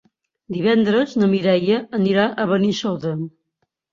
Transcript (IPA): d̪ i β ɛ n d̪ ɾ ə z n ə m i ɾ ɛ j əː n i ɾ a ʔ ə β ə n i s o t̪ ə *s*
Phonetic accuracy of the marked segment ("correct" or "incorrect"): incorrect